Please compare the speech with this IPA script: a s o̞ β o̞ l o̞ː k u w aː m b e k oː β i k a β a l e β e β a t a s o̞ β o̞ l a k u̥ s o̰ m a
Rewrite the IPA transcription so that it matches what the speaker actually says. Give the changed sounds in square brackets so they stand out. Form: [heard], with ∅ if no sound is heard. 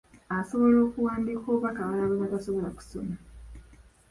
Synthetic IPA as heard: a s o̞ β o̞ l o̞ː k u w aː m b [i] k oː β [a] k a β a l [a] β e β a t a s o̞ β o̞ l a k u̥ s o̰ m a